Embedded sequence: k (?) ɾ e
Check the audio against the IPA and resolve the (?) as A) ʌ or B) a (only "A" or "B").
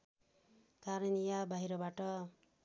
B